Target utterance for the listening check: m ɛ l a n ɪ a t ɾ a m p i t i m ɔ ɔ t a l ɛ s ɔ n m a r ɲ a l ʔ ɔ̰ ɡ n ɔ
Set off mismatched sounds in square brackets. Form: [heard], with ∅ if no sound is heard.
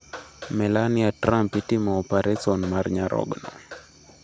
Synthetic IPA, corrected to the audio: m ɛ l a n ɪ a t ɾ a m p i t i m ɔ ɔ [p] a [ɾ] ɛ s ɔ n m a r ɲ a [ɾ] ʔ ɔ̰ ɡ n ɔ